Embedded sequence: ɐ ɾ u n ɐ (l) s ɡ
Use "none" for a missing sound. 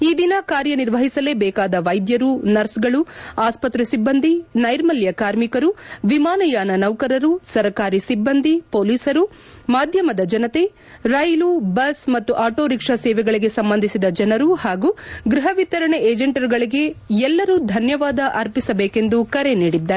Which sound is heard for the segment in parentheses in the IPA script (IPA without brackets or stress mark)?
ɾ